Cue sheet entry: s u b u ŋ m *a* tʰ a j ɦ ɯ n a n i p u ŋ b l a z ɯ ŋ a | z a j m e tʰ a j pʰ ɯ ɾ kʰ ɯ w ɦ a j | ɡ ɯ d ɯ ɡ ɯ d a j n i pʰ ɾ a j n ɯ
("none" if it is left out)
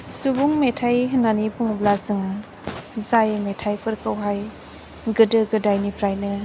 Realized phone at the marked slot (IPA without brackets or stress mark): e